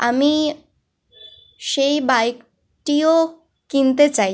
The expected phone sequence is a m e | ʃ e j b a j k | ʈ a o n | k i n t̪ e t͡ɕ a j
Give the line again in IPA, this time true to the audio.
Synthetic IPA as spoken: a m i | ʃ e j b a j k | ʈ i o | k i n t̪ e t͡ɕ a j